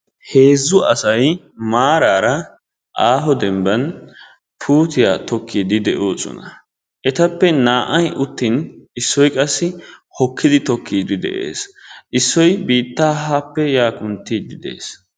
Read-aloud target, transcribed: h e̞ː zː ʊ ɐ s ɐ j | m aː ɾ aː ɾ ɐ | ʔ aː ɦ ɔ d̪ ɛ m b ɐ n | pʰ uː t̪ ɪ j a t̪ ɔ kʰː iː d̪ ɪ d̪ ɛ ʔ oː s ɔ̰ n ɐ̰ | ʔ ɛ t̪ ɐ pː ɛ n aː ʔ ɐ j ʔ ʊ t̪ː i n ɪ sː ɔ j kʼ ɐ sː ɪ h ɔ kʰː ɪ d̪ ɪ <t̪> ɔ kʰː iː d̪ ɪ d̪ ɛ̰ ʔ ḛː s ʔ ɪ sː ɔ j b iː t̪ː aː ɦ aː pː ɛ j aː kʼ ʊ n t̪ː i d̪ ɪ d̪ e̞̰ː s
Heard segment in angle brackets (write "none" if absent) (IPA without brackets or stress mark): t̪